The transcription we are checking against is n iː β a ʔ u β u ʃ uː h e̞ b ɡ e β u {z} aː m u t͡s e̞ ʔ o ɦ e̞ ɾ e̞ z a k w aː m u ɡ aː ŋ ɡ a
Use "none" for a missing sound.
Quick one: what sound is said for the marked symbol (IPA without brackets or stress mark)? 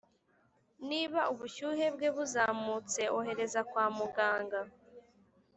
z